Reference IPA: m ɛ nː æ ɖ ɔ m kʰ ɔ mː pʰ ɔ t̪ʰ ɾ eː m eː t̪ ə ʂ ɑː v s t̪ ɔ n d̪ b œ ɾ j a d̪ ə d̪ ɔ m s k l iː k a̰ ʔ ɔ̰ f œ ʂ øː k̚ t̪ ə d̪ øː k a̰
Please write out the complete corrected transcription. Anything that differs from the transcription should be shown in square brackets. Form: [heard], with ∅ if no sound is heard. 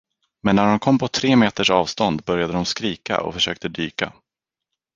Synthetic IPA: m ɛ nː æ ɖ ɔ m kʰ ɔ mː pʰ ɔ t̪ʰ ɾ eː m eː t̪ ə ʂ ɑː v s t̪ ɔ n d̪ b œ ɾ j a d̪ ə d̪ ɔ m s k [ɾ] iː k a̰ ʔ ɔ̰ f œ ʂ øː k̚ t̪ ə d̪ [yː] k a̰